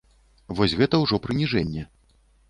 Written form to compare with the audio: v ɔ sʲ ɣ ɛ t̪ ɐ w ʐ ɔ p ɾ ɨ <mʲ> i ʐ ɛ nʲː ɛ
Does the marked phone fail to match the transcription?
yes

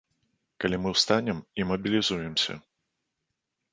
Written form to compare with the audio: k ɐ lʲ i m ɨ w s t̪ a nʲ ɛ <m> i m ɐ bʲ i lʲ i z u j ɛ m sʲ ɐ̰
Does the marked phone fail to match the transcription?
no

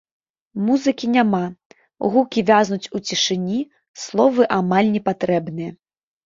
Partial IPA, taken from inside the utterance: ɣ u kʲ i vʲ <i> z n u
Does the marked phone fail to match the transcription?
yes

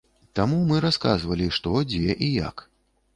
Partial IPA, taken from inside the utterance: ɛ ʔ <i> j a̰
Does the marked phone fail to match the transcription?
no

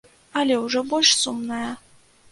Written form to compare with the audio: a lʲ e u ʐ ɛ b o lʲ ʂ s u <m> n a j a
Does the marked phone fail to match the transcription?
no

